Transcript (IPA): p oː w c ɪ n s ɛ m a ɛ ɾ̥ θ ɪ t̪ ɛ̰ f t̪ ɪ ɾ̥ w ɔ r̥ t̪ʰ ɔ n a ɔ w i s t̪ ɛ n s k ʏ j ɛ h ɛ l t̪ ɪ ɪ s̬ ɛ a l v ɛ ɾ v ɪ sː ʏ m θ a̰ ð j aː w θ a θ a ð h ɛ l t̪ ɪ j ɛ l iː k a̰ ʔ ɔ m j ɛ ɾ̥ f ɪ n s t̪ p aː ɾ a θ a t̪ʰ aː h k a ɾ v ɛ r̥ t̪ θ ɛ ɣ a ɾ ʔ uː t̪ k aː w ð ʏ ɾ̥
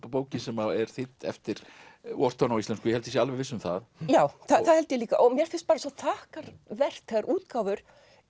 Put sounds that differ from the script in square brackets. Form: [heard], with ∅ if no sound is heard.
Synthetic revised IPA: p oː w c ɪ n s ɛ m a ɛ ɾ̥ θ ɪ t̪ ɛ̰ f t̪ ɪ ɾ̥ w ɔ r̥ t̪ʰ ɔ n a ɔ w i s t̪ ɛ n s k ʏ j ɛ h ɛ l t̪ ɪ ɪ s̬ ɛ a l v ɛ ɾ v ɪ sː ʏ m θ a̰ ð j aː w θ a θ a ð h ɛ l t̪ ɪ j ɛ l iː k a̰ ʔ ɔ m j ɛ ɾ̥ f ɪ n s t̪ p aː ɾ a [s] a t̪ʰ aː h k a ɾ v ɛ r̥ t̪ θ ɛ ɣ a ɾ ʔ uː t̪ k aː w [v] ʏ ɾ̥